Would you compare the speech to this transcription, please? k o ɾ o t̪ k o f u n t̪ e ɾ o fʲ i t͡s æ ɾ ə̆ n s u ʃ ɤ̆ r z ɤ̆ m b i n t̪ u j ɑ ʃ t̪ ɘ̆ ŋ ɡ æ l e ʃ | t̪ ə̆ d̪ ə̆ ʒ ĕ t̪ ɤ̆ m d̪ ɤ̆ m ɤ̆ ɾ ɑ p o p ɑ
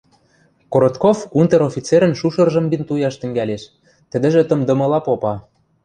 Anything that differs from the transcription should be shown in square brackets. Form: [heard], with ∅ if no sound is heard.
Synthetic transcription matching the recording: k o ɾ o t̪ k o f u n t̪ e ɾ o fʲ i t͡s [e] ɾ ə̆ n [ʃ] u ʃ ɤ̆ r [ʒ] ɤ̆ m b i n t̪ u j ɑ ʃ t̪ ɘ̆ ŋ ɡ æ l e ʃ | t̪ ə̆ d̪ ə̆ ʒ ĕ t̪ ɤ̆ m d̪ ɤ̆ m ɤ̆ [l] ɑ p o p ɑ